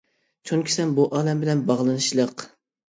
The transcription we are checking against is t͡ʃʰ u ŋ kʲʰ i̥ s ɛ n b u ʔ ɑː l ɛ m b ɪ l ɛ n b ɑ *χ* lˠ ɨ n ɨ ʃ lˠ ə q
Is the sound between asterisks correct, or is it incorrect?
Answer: incorrect